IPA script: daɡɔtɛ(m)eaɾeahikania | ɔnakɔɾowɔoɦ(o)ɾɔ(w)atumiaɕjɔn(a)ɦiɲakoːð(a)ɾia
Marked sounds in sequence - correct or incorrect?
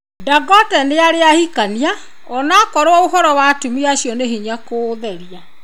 incorrect: n, incorrect: ɔ, correct, incorrect: e, incorrect: ɛ

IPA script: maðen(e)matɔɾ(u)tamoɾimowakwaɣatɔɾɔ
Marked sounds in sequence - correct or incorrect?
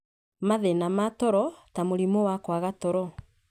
incorrect: a, incorrect: ɔ

